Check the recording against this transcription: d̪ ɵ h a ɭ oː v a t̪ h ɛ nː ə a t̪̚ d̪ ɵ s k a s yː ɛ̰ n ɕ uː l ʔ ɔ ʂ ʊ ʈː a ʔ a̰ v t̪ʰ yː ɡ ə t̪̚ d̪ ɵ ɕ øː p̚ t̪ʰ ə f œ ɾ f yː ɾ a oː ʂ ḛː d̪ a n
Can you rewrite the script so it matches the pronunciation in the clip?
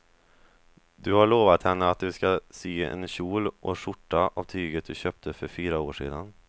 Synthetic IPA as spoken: d̪ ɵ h a ɭ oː v a t̪ h ɛ nː ə a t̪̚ d̪ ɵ s k a s yː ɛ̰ n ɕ uː l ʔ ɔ ʂ ʊ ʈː a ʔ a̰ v t̪ʰ yː ɡ ə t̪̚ d̪ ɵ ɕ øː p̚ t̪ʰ ə f œ ɾ f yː ɾ a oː ʂ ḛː d̪ a n